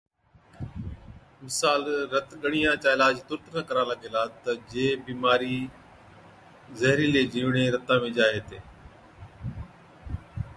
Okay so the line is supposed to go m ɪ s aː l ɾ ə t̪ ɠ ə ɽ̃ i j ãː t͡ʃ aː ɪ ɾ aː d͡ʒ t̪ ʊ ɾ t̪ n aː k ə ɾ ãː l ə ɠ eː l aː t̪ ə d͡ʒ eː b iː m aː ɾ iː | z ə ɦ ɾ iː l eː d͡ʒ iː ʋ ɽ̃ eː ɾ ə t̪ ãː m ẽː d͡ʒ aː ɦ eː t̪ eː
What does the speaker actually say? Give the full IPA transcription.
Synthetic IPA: m ɪ s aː l ɾ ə t̪ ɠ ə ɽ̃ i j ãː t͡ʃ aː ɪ l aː d͡ʒ t̪ ʊ ɾ t̪ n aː k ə ɾ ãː l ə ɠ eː l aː t̪ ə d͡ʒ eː b iː m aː ɾ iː | z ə ɦ ɾ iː l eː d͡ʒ iː ʋ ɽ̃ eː ɾ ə t̪ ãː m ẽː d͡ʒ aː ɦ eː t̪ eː

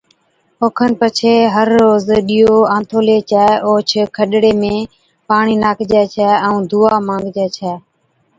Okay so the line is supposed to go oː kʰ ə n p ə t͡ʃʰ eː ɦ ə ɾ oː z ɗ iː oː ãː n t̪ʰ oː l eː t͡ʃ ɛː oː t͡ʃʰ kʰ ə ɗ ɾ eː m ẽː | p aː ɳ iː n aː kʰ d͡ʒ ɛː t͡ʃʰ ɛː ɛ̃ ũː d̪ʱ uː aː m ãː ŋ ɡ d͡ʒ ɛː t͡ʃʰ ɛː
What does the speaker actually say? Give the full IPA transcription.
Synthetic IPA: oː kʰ ə n p ə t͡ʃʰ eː ɦ ə ɾː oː z ɗ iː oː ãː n t̪ʰ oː l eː t͡ʃ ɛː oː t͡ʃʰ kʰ ə ɗ ɽ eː m ẽː | p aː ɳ iː n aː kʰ d͡ʒ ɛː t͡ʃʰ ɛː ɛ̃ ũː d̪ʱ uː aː m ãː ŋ ɡ d͡ʒ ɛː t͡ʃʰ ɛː

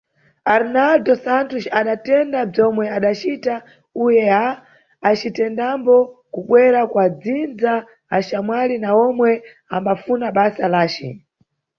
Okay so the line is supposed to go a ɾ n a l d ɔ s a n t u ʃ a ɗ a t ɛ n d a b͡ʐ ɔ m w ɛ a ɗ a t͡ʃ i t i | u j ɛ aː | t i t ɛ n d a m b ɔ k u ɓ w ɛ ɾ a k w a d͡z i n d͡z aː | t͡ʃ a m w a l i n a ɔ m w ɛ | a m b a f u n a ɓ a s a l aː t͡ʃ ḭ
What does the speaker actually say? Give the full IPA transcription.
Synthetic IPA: a ɾ n a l d ɔ s a n t u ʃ a ɗ a t ɛ n d a b͡ʐ ɔ m w ɛ a ɗ a t͡ʃ i t a | u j ɛ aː | t͡ʃ i t ɛ n d a m b ɔ k u ɓ w ɛ ɾ a k w a d͡z i n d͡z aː | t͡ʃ a m w a l i n a ɔ m w ɛ | a m b a f u n a ɓ a s a l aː t͡ʃ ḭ

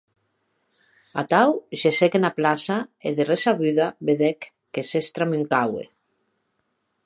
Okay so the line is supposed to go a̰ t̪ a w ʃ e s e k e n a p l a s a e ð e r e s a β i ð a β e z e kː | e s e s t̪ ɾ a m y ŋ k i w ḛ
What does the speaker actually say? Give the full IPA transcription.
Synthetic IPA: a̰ t̪ a w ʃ e s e k e n a p l a s a e ð e r e s a β y ð a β e ð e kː | e s e s t̪ ɾ a m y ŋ k a w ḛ

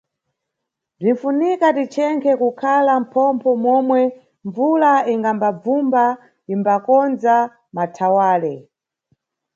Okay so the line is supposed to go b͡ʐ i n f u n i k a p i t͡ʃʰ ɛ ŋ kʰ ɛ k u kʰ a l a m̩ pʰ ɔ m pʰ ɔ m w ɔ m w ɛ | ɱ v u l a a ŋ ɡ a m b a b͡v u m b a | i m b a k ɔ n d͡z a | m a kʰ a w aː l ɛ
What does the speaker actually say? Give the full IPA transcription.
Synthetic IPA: b͡ʐ i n f u n i k a t i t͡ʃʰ ɛ ŋ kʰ ɛ k u kʰ a l a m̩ pʰ ɔ m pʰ ɔ m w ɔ m w ɛ | ɱ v u l a i ŋ ɡ a m b a b͡v u m b a | i m b a k ɔ n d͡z a | m a tʰ a w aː l ɛ

